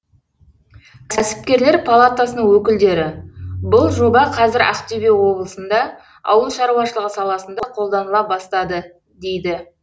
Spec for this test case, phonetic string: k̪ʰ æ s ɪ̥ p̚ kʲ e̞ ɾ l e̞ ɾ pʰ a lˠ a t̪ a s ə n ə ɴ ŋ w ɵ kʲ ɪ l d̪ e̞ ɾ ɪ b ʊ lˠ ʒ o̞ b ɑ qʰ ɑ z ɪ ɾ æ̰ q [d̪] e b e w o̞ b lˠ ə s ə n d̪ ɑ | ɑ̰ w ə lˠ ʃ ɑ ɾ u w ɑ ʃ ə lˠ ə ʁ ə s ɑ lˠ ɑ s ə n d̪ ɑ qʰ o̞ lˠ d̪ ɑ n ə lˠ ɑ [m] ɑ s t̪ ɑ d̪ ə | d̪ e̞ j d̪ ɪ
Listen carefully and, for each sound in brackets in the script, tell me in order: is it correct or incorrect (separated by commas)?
incorrect, incorrect